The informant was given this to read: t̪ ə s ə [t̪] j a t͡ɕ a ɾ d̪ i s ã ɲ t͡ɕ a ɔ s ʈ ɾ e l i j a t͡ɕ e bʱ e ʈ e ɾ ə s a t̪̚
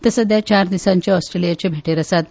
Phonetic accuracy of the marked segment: incorrect: d̪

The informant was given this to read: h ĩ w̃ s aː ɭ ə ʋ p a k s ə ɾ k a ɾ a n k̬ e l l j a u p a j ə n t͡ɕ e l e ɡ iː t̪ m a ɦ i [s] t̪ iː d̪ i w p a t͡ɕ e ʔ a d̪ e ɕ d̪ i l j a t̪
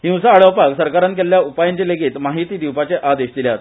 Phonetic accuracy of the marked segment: incorrect: none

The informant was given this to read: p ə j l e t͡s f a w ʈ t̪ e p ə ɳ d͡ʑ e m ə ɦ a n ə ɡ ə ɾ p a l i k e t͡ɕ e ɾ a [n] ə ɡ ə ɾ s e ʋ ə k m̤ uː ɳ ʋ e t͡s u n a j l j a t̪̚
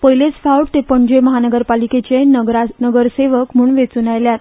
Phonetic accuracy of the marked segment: correct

